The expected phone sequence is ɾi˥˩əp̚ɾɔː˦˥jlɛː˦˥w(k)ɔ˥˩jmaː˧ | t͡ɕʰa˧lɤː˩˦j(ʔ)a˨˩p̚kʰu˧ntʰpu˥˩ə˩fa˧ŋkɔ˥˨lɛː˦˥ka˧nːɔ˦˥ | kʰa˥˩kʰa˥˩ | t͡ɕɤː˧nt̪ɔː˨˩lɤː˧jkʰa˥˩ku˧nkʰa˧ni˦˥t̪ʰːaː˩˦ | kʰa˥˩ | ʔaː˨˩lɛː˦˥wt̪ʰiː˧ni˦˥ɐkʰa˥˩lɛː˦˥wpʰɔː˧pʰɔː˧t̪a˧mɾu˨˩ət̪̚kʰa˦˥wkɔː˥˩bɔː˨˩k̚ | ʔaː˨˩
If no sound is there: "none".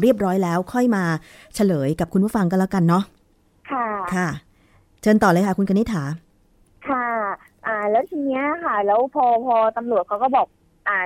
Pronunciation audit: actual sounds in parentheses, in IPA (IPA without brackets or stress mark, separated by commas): kʰ, k